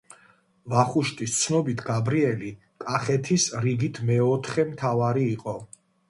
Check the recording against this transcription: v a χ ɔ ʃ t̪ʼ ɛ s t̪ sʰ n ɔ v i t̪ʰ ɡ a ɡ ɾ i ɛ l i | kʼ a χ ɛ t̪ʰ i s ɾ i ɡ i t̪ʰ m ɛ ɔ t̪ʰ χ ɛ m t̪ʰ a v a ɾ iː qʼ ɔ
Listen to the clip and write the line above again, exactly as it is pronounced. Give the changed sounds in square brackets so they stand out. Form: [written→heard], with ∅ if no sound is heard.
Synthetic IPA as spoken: v a χ [ɔ→u] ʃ t̪ʼ [ɛ→i] s t̪ sʰ n ɔ [v→b] i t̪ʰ ɡ a [ɡ→b] ɾ i ɛ l i | kʼ a χ ɛ t̪ʰ i s ɾ i ɡ i t̪ʰ m ɛ ɔ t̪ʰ χ ɛ m t̪ʰ a v a ɾ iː qʼ ɔ